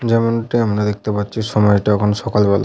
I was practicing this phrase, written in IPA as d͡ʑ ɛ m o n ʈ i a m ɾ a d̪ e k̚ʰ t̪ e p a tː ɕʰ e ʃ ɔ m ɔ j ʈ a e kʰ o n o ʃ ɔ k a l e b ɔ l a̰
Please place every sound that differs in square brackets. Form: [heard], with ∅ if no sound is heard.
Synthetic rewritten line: d͡ʑ ɛ m o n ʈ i a m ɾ a d̪ e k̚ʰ t̪ e p a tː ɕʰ [i] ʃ ɔ m ɔ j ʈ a [ɛ] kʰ o n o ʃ ɔ k a l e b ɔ l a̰